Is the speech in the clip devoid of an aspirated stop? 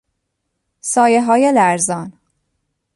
yes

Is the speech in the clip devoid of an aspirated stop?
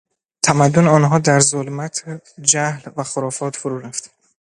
no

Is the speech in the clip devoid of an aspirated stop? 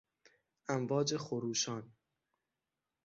yes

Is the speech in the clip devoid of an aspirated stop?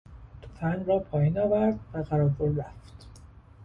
no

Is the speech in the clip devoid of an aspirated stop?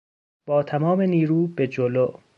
no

